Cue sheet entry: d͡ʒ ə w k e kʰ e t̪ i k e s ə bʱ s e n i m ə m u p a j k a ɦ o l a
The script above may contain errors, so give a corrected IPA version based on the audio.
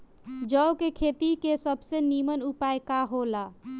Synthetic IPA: d͡ʒ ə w k e kʰ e t̪ i k e s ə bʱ s e n i m ə n u p a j k a ɦ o l a